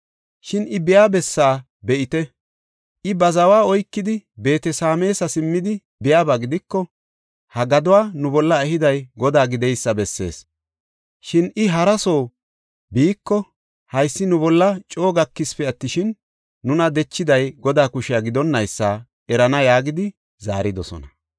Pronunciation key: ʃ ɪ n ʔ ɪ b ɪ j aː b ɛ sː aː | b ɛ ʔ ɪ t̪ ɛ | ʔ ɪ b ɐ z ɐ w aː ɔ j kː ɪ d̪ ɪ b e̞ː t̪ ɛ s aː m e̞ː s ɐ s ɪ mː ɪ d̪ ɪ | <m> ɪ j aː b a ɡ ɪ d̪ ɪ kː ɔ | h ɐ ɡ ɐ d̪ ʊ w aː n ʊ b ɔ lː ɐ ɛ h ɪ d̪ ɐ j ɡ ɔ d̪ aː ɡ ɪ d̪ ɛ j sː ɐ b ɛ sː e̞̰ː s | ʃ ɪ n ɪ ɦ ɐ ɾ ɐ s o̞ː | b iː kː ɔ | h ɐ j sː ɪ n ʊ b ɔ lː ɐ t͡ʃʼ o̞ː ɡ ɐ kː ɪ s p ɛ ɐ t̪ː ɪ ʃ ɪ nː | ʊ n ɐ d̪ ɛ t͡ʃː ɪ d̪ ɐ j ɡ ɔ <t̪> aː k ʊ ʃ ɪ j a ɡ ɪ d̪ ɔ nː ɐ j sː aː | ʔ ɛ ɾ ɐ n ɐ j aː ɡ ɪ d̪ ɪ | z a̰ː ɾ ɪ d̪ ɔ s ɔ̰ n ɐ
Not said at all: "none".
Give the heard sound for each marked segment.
b, d̪

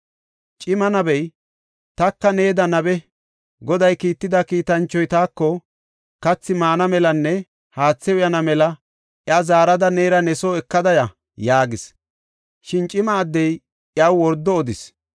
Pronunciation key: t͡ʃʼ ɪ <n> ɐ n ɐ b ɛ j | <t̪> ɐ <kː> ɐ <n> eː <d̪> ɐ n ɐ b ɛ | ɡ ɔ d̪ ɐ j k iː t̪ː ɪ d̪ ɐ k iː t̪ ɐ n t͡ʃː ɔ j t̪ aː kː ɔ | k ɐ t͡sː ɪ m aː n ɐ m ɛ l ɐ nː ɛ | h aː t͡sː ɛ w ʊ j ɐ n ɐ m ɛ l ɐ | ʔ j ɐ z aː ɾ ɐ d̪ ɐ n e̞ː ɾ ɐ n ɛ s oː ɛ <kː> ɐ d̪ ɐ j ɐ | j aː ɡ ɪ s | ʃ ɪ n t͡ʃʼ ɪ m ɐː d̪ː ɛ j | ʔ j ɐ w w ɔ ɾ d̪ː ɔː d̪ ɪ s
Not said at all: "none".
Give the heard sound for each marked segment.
m, t̪, kː, n, d̪, kː

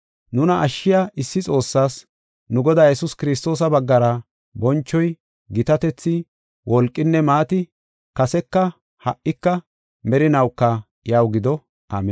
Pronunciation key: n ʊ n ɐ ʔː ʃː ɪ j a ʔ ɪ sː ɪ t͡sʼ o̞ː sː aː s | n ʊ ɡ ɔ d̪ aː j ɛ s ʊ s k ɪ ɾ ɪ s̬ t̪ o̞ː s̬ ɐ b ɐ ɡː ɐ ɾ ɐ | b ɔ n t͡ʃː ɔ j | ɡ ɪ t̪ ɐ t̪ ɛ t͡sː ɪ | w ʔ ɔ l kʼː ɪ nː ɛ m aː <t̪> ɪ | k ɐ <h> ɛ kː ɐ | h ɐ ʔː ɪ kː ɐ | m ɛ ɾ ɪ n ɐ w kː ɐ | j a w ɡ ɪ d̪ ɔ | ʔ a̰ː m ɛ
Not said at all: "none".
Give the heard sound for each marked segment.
t̪, s

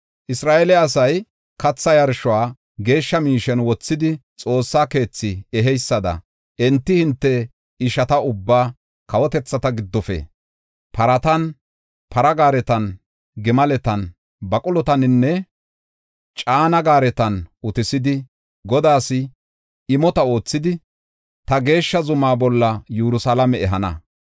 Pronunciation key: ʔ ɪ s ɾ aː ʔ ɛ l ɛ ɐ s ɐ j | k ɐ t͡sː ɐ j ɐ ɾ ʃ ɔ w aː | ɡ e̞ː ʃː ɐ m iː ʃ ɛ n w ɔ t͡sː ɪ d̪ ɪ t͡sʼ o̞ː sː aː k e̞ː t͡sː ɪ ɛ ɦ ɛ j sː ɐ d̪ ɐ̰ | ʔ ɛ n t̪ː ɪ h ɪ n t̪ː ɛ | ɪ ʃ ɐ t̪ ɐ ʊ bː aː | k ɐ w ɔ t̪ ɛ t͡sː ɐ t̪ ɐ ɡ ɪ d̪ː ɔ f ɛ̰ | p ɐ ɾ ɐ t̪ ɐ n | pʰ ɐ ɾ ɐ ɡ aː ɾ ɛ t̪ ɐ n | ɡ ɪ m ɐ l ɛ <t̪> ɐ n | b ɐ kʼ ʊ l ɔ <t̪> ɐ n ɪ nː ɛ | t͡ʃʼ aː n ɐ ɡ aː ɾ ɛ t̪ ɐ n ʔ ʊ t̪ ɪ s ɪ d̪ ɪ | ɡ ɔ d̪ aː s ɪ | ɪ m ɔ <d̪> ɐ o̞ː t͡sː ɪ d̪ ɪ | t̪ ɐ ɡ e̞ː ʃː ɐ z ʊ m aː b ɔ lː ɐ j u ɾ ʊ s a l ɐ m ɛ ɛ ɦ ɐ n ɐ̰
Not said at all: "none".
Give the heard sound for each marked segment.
t̪, t̪, t̪

